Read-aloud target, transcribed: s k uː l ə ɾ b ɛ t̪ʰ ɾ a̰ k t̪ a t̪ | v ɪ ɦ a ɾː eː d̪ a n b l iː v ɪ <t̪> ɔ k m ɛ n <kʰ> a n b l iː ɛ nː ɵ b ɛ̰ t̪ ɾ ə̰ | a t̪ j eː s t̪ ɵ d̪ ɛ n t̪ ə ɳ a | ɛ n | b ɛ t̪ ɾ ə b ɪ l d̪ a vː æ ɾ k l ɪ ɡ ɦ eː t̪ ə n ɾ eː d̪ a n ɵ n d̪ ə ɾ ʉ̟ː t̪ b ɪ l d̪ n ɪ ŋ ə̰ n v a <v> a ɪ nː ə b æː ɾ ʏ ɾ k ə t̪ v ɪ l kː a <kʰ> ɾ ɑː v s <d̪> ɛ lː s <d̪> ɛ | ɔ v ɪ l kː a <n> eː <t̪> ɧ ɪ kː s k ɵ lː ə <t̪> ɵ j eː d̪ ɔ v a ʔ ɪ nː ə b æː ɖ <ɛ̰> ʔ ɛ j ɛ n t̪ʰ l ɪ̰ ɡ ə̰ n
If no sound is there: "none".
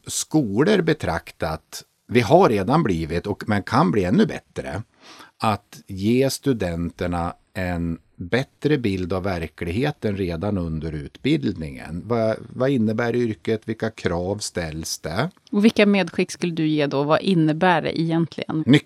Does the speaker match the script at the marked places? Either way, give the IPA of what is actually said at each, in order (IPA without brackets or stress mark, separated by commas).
t̪, kʰ, v, kʰ, t̪, d̪, m, d̪, d̪, ɛ̰